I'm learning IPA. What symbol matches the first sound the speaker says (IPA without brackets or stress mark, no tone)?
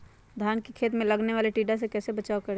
d̪ʱ